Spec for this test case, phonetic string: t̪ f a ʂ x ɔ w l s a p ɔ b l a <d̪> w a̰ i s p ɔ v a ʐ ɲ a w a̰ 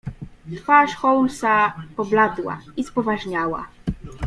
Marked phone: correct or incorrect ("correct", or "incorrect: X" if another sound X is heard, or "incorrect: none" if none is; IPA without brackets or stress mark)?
correct